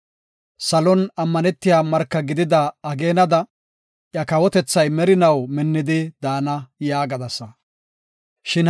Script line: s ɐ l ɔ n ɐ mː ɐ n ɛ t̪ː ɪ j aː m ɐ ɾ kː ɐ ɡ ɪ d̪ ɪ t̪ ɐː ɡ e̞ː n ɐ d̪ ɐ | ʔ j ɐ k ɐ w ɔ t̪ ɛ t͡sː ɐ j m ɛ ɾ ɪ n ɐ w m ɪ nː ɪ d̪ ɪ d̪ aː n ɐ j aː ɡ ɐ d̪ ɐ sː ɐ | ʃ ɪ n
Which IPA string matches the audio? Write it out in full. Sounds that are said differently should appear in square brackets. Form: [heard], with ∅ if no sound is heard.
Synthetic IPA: s ɐ l ɔ n ɐ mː ɐ n ɛ t̪ː ɪ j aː m ɐ ɾ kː ɐ ɡ ɪ d̪ ɪ [d̪] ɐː ɡ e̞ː n ɐ d̪ ɐ | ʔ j ɐ k ɐ w ɔ t̪ ɛ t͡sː ɐ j m ɛ ɾ ɪ n ɐ w m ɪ nː ɪ d̪ ɪ d̪ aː n ɐ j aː ɡ ɐ d̪ ɐ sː ɐ | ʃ ɪ n

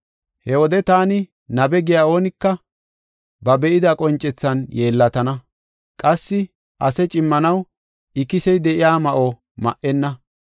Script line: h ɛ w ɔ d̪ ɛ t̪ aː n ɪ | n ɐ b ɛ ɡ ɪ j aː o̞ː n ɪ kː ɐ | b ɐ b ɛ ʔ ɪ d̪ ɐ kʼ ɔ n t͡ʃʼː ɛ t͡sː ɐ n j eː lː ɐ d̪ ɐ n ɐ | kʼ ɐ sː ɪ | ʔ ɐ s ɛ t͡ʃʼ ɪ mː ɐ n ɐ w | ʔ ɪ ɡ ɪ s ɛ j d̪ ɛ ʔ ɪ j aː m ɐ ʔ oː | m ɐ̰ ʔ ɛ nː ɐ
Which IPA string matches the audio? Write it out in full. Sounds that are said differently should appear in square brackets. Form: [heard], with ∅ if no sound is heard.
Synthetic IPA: h ɛ w ɔ d̪ ɛ t̪ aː n ɪ | n ɐ b ɛ ɡ ɪ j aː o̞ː n ɪ kː ɐ | b ɐ b ɛ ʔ ɪ d̪ ɐ kʼ ɔ n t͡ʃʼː ɛ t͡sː ɐ n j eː lː ɐ [t̪] ɐ n ɐ | kʼ ɐ sː ɪ | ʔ ɐ s ɛ t͡ʃʼ ɪ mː ɐ n ɐ w | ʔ ɪ [k] ɪ s ɛ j d̪ ɛ ʔ ɪ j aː m ɐ ʔ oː | m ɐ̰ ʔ ɛ nː ɐ

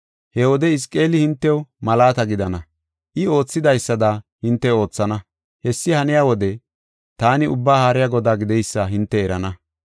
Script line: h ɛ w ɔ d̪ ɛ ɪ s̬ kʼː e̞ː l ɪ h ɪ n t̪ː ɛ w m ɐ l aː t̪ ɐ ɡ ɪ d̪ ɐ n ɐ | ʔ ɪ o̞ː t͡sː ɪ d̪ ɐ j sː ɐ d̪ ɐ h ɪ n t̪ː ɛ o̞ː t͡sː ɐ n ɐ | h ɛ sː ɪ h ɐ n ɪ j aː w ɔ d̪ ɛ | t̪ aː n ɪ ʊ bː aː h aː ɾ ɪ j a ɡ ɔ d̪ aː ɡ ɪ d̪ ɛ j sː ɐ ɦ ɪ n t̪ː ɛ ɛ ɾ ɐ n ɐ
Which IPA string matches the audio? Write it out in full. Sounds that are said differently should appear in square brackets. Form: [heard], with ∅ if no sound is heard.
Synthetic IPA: h ɛ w ɔ d̪ ɛ ɪ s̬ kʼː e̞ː l ɪ h ɪ n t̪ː ɛ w m ɐ l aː t̪ ɐ ɡ ɪ d̪ ɐ n ɐ | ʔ ɪ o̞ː t͡sː ɪ d̪ ɐ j sː ɐ d̪ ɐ h ɪ n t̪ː ɛ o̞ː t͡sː ɐ n ɐ | h ɛ sː ɪ h ɐ n ɪ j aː w ɔ d̪ ɛ | t̪ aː n ɪ ʊ bː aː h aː ɾ ɪ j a ɡ ɔ d̪ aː ɡ ɪ d̪ ɛ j sː ɐ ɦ ɪ n t̪ː ɛ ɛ ɾ ɐ n ɐ

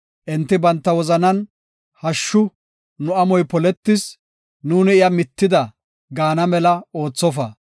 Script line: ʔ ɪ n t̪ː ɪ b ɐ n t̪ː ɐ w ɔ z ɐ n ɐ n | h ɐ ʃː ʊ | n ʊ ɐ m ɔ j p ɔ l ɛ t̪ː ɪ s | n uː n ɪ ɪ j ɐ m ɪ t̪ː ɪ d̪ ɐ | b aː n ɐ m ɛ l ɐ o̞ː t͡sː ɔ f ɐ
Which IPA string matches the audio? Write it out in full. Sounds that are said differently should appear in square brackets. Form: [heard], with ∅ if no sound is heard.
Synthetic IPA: ʔ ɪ n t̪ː ɪ b ɐ n t̪ː ɐ w ɔ z ɐ n ɐ n | h ɐ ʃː ʊ | n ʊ ɐ m ɔ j p ɔ l ɛ t̪ː ɪ s | n uː n ɪ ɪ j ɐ m ɪ t̪ː ɪ d̪ ɐ | [ɡ] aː n ɐ m ɛ l ɐ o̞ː t͡sː ɔ f ɐ

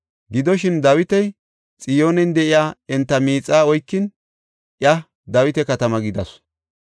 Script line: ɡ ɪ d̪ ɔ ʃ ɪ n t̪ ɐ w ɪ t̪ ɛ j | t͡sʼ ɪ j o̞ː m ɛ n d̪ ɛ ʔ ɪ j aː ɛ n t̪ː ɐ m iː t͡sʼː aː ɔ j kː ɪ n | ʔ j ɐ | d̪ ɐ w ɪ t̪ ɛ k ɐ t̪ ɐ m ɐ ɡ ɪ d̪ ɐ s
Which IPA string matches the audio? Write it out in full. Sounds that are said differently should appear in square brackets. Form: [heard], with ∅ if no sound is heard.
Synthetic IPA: ɡ ɪ d̪ ɔ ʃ ɪ n [d̪] ɐ w ɪ t̪ ɛ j | t͡sʼ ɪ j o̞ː [n] ɛ n d̪ ɛ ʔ ɪ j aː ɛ n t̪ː ɐ m iː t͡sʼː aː ɔ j kː ɪ n | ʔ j ɐ | d̪ ɐ w ɪ t̪ ɛ k ɐ t̪ ɐ m ɐ ɡ ɪ d̪ ɐ s

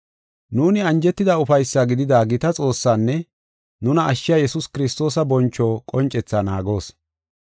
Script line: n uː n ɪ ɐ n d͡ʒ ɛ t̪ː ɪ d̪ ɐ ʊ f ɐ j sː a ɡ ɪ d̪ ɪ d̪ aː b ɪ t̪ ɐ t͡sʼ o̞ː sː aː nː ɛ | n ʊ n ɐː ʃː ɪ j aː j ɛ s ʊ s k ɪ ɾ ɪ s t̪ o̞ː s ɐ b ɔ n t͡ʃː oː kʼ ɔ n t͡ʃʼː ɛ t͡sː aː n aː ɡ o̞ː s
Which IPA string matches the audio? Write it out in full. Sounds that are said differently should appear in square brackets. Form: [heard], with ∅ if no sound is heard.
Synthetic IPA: n uː n ɪ ɐ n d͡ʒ ɛ t̪ː ɪ d̪ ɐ ʊ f ɐ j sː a ɡ ɪ d̪ ɪ d̪ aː [ɡ] ɪ t̪ ɐ t͡sʼ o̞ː sː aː nː ɛ | n ʊ n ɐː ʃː ɪ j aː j ɛ s ʊ s k ɪ ɾ ɪ s t̪ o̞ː s ɐ b ɔ n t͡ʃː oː kʼ ɔ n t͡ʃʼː ɛ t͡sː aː n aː ɡ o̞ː s

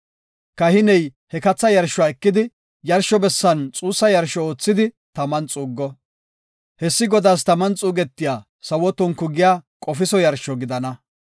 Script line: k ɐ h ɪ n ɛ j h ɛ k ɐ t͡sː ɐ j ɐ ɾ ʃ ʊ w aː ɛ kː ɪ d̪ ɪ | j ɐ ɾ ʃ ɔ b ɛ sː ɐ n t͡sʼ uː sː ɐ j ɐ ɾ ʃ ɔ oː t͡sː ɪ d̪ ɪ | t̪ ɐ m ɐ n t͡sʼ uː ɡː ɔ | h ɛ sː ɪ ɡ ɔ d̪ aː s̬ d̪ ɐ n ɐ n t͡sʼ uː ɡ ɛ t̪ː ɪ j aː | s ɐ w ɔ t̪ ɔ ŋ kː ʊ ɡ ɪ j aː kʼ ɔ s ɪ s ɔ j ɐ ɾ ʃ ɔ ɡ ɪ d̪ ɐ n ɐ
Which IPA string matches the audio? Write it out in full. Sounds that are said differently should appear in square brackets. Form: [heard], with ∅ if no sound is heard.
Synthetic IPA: k ɐ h ɪ n ɛ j h ɛ k ɐ t͡sː ɐ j ɐ ɾ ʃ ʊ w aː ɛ kː ɪ d̪ ɪ | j ɐ ɾ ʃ ɔ b ɛ sː ɐ n t͡sʼ uː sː ɐ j ɐ ɾ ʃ ɔ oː t͡sː ɪ d̪ ɪ | t̪ ɐ m ɐ n t͡sʼ uː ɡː ɔ | h ɛ sː ɪ ɡ ɔ d̪ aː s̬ [t̪] ɐ [m] ɐ n t͡sʼ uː ɡ ɛ t̪ː ɪ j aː | s ɐ w ɔ t̪ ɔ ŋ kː ʊ ɡ ɪ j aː kʼ ɔ [f] ɪ s ɔ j ɐ ɾ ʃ ɔ ɡ ɪ d̪ ɐ n ɐ

